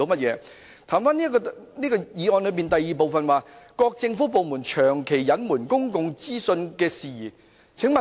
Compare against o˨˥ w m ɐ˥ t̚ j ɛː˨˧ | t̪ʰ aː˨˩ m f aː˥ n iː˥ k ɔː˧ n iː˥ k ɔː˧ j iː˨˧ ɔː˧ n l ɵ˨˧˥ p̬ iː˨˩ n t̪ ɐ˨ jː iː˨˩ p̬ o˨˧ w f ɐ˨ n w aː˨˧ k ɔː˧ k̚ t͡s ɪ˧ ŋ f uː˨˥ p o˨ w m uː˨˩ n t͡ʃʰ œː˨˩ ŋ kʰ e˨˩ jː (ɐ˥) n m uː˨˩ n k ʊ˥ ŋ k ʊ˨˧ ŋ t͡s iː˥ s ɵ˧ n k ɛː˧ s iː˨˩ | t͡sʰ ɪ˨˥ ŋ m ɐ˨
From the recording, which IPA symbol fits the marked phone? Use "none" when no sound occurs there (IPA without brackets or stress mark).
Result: ɐ˨˥